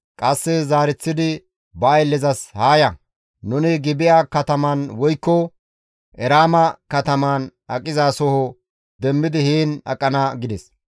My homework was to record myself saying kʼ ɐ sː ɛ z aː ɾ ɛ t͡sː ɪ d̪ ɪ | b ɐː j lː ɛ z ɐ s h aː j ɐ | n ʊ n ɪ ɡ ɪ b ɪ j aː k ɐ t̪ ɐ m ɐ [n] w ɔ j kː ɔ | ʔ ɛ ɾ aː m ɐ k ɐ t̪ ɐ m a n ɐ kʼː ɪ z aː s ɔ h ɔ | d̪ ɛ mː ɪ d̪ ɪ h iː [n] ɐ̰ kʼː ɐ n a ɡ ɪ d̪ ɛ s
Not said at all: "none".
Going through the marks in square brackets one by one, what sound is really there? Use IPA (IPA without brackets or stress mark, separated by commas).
n, n